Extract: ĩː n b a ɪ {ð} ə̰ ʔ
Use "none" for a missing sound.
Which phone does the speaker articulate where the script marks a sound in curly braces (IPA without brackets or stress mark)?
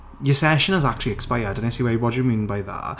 ð